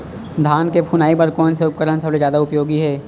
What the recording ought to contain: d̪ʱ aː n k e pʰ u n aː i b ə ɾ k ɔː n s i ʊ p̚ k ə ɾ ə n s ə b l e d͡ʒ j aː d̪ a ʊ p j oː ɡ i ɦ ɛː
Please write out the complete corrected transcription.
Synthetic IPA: d̪ʱ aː n k e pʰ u n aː i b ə ɾ k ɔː n s e ʊ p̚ k ə ɾ ə n s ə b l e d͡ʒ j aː d̪ a ʊ p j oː ɡ i ɦ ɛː